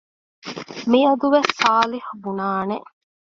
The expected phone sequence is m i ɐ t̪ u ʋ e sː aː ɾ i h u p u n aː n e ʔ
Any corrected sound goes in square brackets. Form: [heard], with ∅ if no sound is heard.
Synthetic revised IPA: m i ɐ [d̪] u ʋ e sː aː [l] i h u [b] u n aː n e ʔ